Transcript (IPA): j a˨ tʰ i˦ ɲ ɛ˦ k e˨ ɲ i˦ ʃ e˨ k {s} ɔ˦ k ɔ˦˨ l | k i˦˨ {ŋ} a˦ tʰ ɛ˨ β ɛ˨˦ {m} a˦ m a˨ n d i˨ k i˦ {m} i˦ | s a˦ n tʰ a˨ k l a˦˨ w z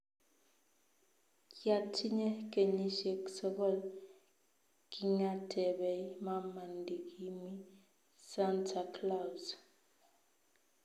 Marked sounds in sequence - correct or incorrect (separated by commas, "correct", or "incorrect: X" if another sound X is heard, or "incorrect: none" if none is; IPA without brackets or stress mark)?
correct, correct, correct, correct